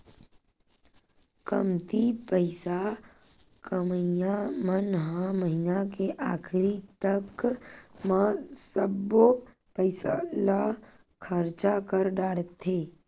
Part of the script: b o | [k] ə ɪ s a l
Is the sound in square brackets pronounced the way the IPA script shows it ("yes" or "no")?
no